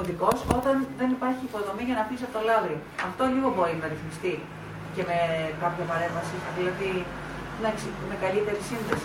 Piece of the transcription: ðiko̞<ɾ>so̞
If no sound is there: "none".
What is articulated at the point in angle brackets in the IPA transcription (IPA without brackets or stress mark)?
none